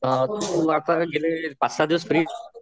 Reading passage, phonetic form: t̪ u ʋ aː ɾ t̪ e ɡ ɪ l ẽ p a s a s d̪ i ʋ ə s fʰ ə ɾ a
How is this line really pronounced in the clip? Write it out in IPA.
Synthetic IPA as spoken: t̪ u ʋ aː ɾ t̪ a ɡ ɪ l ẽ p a s a d̪ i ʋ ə s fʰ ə ɾ i